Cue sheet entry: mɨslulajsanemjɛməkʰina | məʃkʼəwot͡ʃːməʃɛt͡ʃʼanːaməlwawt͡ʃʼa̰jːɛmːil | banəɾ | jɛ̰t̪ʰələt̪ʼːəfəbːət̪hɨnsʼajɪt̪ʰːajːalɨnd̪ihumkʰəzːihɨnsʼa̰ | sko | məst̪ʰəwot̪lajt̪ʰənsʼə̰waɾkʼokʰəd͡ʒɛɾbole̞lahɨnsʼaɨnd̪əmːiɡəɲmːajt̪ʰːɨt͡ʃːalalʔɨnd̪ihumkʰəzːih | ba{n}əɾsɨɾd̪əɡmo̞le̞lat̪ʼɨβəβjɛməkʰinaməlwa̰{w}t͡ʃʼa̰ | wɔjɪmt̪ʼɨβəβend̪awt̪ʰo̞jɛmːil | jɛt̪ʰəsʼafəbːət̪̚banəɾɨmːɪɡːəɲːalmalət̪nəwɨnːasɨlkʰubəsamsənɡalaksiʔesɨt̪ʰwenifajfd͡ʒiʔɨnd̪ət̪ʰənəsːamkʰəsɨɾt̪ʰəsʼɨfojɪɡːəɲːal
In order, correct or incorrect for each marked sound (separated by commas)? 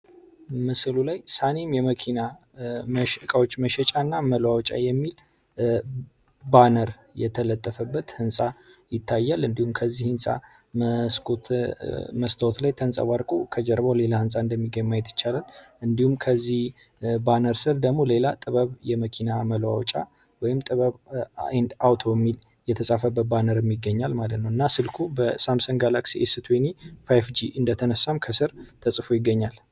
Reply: correct, correct